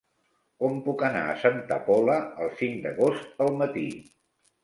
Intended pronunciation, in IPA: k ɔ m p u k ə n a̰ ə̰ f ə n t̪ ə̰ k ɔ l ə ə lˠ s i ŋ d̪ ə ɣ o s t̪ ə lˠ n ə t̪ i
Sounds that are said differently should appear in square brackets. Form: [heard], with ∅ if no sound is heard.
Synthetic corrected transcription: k ɔ m p u k ə n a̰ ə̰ [s] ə n t̪ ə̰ [p] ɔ l ə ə lˠ s i ŋ d̪ ə ɣ o s t̪ ə lˠ [m] ə t̪ i